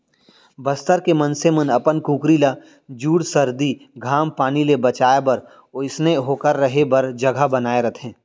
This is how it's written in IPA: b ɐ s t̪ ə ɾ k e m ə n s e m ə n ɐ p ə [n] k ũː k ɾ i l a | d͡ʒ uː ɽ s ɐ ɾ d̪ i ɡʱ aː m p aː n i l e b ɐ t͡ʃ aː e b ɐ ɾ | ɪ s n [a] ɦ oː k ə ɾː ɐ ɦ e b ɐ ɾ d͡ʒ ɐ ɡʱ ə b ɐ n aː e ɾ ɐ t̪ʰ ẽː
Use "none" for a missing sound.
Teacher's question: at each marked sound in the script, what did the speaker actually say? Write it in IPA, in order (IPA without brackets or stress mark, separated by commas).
n, e